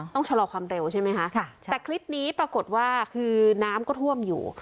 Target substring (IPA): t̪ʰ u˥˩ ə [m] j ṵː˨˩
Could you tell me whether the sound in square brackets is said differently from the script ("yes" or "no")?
no